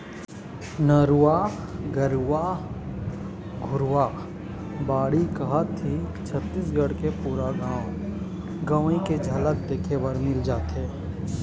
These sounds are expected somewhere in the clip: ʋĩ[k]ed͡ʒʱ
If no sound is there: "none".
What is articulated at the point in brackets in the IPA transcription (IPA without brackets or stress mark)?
k